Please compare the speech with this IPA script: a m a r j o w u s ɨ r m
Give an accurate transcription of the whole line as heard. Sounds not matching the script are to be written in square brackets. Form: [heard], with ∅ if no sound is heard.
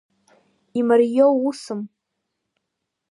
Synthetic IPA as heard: [i] m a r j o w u s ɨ [∅] m